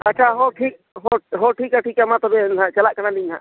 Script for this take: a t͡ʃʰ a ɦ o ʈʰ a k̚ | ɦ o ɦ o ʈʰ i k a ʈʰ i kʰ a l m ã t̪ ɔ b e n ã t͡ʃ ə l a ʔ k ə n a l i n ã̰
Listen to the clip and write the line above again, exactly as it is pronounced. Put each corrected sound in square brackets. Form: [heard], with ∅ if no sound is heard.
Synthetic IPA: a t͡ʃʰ a ɦ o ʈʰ [i] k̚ | ɦ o ɦ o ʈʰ i k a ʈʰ i [k] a [∅] m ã t̪ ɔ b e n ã t͡ʃ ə l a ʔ k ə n a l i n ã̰